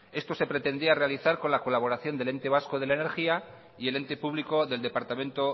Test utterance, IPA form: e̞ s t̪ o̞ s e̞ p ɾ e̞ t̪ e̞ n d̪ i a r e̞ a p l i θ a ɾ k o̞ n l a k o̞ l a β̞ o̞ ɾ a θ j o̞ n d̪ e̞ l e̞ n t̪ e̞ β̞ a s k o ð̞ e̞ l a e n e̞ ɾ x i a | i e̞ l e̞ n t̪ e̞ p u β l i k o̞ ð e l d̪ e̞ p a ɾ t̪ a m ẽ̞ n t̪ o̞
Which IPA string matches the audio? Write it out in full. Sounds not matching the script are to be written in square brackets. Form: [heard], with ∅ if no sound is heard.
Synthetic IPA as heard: e̞ s t̪ o̞ s e̞ p ɾ e̞ t̪ e̞ n d̪ i a r e̞ a [∅] l i θ a ɾ k o̞ n l a k o̞ l a β̞ o̞ ɾ a θ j o̞ n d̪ e̞ l e̞ n t̪ e̞ β̞ a s k o ð̞ e̞ l a e n e̞ ɾ x i a | i e̞ l e̞ n t̪ e̞ p u β l i k o̞ ð e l d̪ e̞ p a ɾ t̪ a m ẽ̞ n t̪ o̞